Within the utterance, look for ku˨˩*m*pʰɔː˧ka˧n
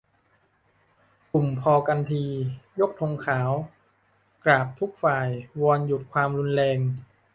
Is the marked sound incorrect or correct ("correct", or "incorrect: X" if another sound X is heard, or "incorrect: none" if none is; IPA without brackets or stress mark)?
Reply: correct